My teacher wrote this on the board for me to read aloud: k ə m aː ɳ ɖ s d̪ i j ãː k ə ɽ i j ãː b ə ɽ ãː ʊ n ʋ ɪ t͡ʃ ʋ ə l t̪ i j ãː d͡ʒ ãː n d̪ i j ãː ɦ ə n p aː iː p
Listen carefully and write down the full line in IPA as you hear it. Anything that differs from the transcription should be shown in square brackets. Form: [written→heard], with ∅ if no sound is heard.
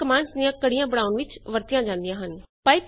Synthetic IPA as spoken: k ə m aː ɳ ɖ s d̪ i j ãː k ə ɽ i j ãː b ə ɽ [ãː→aː] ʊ n ʋ ɪ t͡ʃ ʋ ə [l→ɾ] t̪ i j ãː d͡ʒ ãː n d̪ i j ãː ɦ ə n p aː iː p